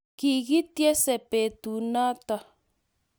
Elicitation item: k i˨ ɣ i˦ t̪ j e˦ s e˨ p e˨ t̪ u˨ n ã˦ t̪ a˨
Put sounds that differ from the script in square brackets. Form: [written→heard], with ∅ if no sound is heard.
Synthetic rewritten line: k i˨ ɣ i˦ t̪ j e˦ s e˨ p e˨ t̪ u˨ n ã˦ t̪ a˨